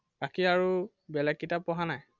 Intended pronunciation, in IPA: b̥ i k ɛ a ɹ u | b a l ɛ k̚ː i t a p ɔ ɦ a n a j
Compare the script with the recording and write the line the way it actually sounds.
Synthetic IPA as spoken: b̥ a k i a ɹ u | b ɛ l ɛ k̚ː i t a p ɔ ɦ a n a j